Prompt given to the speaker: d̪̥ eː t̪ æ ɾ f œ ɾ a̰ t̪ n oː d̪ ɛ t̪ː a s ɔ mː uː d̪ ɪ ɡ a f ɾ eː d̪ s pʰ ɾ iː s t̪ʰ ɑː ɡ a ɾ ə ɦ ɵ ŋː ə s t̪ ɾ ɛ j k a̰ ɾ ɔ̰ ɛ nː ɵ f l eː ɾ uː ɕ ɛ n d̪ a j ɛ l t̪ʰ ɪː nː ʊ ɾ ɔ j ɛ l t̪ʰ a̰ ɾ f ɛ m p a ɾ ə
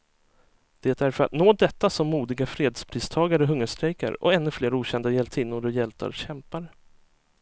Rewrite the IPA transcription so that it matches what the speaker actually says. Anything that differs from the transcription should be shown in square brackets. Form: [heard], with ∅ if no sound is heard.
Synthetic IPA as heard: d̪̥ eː t̪ æ ɾ f œ ɾ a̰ t̪ n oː d̪ ɛ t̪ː a s ɔ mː uː d̪ ɪ ɡ a f ɾ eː d̪ s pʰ ɾ iː s t̪ʰ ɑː ɡ a ɾ ə ɦ ɵ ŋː ə [ʂ] t̪ ɾ ɛ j k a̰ ɾ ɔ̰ ɛ nː ɵ f l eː ɾ uː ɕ ɛ n d̪ a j ɛ l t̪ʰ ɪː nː ʊ ɾ ɔ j ɛ l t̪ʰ a̰ ɾ [ɕ] ɛ m p a ɾ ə